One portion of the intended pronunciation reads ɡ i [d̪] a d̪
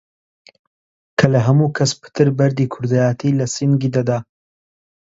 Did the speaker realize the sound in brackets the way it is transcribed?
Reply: yes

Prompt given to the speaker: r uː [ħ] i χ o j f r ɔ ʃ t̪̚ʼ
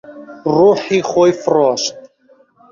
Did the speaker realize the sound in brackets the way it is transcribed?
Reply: yes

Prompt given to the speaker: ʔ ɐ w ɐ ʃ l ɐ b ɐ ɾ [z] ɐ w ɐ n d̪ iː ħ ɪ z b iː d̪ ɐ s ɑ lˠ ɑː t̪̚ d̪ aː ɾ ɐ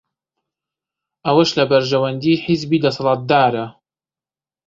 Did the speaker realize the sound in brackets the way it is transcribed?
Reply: no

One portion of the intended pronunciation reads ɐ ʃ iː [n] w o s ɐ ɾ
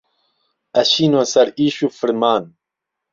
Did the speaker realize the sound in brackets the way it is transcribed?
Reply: yes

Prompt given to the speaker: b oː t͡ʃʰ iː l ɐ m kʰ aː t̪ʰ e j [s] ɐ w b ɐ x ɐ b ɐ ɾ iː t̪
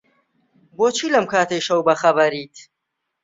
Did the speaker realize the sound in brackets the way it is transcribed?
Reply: no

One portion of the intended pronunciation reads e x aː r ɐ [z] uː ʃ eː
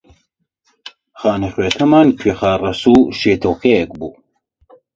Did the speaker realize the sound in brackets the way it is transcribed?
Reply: no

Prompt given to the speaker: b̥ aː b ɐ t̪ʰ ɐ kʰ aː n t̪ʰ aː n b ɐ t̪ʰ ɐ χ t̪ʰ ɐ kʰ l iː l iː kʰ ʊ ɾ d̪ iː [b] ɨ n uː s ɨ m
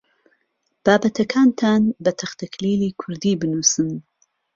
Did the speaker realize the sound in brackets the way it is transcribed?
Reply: yes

